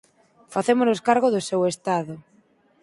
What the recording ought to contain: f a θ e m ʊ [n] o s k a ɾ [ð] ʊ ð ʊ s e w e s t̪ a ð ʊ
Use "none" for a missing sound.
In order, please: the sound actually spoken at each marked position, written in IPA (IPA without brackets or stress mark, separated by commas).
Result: n, ɣ